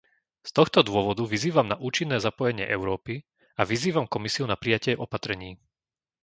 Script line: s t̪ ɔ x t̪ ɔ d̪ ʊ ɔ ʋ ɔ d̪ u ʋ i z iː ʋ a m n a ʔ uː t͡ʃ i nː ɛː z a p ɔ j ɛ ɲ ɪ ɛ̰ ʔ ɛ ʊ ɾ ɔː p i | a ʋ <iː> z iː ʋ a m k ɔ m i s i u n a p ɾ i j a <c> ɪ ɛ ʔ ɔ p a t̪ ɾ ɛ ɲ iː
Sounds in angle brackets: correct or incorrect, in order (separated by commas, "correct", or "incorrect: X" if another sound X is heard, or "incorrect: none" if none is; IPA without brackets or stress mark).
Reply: incorrect: i, correct